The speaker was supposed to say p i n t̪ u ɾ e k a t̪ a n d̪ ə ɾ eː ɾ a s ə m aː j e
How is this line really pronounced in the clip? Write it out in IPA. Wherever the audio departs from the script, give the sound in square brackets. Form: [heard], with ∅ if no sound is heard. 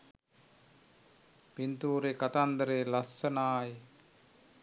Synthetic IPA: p i n t̪ [uː] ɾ e k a t̪ a n d̪ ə ɾ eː [l] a s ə [n] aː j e